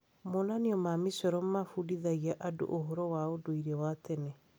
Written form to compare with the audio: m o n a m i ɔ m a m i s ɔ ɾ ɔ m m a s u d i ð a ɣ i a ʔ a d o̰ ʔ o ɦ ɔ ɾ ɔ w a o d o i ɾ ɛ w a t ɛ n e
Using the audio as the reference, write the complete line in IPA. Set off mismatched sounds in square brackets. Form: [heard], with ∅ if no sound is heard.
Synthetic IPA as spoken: m o n a [n] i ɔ m a m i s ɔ ɾ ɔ m m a [f] u d i ð a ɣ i a ʔ a d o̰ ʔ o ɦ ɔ ɾ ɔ w a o d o i ɾ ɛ w a t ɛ n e

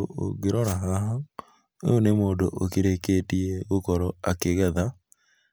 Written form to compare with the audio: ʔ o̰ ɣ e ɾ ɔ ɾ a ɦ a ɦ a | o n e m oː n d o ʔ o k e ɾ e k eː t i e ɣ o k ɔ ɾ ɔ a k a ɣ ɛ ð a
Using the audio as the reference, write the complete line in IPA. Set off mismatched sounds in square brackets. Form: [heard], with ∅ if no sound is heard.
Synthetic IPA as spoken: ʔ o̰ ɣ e ɾ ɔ ɾ a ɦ a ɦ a | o n e m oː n d o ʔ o k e ɾ e k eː t i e ɣ o k ɔ ɾ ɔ a k [e] ɣ ɛ ð a

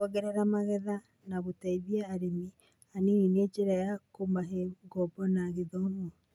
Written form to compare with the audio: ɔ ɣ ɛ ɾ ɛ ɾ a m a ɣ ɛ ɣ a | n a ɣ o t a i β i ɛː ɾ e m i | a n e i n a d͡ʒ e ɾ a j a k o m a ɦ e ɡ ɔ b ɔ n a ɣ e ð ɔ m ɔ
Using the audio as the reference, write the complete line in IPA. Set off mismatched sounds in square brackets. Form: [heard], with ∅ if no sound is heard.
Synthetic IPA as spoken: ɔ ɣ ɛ ɾ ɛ ɾ a m a ɣ ɛ [ð] a | n a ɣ o t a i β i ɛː ɾ e m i | a n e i n [e] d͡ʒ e ɾ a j a k o m a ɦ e ɡ ɔ b ɔ n a ɣ e ð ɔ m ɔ

